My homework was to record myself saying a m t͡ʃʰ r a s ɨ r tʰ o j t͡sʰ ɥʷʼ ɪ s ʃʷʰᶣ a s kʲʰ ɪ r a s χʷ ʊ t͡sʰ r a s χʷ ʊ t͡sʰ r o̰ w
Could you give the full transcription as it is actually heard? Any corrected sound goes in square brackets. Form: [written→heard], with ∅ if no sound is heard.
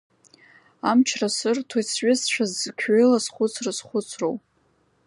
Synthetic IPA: a m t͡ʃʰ r a s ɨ r tʰ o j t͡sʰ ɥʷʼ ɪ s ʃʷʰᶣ a [s→z] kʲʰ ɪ [r→l] a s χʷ ʊ t͡sʰ r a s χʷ ʊ t͡sʰ r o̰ w